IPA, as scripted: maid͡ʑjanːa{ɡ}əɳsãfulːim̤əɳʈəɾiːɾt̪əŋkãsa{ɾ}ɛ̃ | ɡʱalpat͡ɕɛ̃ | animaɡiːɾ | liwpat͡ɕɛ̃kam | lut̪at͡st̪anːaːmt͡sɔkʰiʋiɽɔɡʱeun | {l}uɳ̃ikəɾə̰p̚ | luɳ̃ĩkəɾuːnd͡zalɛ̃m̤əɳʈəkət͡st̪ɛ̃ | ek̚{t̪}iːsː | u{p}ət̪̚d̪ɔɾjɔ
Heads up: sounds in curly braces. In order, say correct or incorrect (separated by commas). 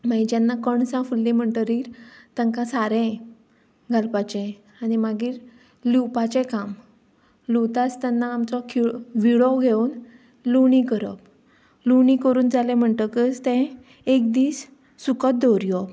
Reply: incorrect, correct, correct, incorrect, incorrect